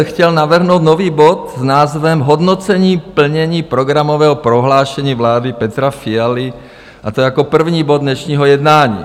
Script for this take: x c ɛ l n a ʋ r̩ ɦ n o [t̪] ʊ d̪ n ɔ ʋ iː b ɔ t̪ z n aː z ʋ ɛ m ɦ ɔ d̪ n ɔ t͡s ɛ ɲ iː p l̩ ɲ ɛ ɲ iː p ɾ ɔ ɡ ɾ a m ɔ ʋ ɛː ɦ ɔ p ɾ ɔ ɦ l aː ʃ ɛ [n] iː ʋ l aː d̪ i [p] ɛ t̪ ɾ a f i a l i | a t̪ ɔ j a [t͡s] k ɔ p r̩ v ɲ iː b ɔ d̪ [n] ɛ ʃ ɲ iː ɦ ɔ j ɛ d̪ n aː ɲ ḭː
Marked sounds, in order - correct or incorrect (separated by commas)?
incorrect, incorrect, correct, incorrect, incorrect